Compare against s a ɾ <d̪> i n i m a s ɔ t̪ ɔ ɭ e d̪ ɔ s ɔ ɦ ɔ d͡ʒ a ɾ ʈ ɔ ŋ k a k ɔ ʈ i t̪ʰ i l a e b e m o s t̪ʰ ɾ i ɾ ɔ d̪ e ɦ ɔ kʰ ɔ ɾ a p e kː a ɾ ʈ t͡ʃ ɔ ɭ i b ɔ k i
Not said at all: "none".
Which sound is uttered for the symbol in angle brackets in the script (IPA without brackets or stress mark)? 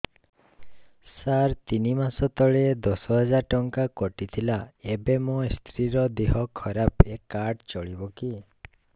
t̪